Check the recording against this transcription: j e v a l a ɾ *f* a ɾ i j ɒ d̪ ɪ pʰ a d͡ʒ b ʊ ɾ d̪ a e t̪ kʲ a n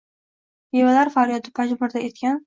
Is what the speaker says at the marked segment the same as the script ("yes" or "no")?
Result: yes